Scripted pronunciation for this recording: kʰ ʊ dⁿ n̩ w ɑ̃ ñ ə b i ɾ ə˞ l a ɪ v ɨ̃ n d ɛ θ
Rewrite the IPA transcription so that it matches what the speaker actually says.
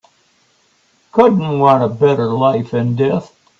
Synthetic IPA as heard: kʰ ʊ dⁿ n̩ w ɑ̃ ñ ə b ɛ ɾ ə˞ l a ɪ f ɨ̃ n d ɛ θ